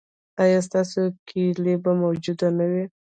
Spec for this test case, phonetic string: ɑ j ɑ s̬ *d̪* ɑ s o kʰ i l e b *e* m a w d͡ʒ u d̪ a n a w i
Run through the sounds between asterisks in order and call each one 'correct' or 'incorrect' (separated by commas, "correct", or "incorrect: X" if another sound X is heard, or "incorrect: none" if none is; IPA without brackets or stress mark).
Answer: incorrect: t̪, incorrect: a